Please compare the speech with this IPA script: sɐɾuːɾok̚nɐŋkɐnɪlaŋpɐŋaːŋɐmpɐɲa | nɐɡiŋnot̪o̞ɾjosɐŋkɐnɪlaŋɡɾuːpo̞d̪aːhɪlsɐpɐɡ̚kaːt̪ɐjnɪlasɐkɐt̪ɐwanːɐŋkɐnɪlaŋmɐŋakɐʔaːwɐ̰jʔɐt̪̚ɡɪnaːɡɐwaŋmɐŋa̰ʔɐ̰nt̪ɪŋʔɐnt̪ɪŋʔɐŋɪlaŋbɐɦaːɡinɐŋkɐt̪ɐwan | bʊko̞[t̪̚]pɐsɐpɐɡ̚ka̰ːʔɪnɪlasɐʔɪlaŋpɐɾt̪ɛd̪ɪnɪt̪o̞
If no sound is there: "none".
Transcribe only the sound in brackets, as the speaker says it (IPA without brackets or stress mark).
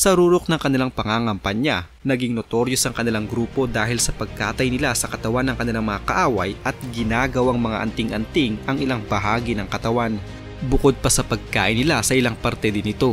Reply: d̪̚